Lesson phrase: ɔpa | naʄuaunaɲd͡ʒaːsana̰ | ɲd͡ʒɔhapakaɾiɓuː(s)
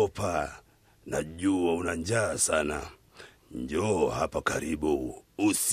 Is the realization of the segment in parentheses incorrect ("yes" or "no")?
no